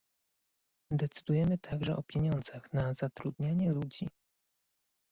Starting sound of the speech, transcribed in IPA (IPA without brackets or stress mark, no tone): d̪